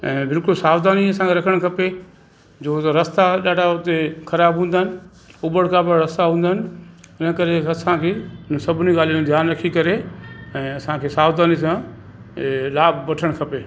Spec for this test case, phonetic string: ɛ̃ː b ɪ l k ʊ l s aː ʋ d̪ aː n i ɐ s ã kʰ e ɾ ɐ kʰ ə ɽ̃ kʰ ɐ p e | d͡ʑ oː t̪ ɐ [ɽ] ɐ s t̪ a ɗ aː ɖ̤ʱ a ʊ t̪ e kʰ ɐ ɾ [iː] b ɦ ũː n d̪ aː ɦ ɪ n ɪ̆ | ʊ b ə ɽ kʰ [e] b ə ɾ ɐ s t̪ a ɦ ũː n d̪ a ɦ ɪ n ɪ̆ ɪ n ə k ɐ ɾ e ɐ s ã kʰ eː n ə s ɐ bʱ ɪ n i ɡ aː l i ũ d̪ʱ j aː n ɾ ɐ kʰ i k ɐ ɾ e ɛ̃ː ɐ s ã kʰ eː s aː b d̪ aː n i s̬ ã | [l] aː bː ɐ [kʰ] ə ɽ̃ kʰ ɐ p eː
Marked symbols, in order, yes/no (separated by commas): no, no, no, yes, no